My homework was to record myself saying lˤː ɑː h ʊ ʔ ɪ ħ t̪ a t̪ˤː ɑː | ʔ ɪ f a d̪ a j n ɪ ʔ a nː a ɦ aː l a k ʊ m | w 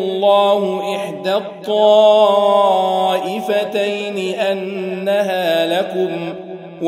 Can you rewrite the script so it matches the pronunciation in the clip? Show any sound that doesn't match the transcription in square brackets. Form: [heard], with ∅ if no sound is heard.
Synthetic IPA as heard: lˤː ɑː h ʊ ʔ ɪ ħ [d̪] a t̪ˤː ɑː | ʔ ɪ f a [t̪] a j n ɪ ʔ a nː a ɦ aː l a k ʊ m | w